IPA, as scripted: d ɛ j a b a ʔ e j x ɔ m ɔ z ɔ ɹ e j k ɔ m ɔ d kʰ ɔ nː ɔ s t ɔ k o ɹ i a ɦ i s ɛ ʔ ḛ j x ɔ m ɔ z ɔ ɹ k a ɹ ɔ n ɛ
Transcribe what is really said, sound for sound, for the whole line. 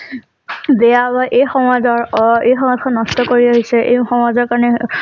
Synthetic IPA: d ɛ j a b a ʔ e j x ɔ m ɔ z ɔ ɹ e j x ɔ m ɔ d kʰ ɔ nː ɔ s t ɔ k o ɹ i a ɦ i s ɛ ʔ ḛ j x ɔ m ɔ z ɔ ɹ k a ɹ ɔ n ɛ